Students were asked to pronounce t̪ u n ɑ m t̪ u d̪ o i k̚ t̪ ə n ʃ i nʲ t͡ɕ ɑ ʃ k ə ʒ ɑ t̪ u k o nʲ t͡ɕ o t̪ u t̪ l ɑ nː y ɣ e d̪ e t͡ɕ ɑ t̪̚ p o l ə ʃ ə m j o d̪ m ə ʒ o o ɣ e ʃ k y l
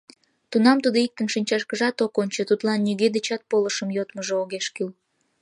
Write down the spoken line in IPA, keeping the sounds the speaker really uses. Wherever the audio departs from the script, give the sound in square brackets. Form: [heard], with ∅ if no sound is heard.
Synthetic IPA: t̪ u n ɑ m t̪ u d̪ o i k̚ t̪ ə n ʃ i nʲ t͡ɕ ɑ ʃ k ə ʒ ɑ t̪ [o] k o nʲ t͡ɕ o t̪ u t̪ l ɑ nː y ɣ e d̪ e t͡ɕ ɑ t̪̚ p o l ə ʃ ə m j o [t̪] m ə ʒ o o ɣ e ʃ k y l